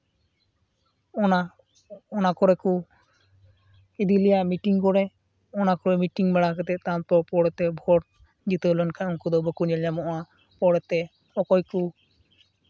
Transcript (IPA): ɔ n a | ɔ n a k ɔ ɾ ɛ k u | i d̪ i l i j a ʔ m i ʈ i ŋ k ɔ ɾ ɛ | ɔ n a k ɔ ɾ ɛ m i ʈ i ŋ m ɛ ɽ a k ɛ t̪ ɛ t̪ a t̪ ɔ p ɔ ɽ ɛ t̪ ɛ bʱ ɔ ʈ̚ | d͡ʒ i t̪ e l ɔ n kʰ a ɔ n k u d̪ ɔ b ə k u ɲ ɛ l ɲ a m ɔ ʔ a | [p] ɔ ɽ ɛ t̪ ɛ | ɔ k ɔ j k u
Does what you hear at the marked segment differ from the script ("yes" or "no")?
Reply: no